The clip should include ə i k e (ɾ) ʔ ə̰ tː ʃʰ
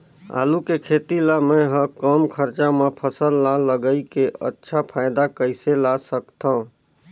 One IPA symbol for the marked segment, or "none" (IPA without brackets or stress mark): none